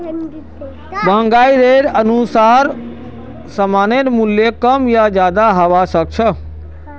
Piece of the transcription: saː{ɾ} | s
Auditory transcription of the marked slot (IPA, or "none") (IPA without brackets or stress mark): ɾ